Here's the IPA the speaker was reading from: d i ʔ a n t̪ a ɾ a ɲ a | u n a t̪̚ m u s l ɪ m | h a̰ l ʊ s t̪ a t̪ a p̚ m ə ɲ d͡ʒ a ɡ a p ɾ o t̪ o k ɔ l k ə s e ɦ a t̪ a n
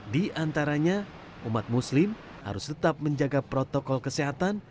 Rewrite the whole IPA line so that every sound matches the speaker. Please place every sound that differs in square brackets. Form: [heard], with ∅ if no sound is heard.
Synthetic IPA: d i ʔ a n t̪ a ɾ a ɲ a | u [m] a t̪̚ m u s l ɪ m | h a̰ [ɾ] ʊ s t̪ [ə] t̪ a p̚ m ə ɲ d͡ʒ a ɡ a p ɾ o t̪ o k ɔ l k ə s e ɦ a t̪ a n